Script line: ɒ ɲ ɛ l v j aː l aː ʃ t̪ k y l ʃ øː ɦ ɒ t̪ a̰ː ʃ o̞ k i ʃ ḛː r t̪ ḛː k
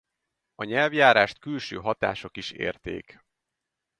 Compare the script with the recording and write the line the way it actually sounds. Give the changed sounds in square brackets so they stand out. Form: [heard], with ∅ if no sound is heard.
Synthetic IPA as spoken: ɒ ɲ ɛ l v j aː [ɾ] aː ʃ t̪ k y l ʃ øː ɦ ɒ t̪ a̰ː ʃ o̞ k i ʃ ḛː r t̪ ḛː k